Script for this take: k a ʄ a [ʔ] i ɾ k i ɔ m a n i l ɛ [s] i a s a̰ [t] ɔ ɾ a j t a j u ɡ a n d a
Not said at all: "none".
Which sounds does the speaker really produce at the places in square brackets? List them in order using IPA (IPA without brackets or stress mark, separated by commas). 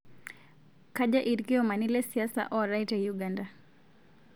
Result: ʔ, s, ʔ